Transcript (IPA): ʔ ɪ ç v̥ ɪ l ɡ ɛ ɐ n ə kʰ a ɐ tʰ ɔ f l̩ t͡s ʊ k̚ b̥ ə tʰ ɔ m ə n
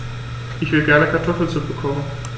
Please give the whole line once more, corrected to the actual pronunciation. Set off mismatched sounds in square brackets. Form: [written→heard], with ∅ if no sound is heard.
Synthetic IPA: ʔ ɪ ç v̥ ɪ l ɡ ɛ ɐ n ə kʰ a ɐ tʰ ɔ f l̩ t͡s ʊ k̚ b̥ ə [tʰ→kʰ] ɔ m ə n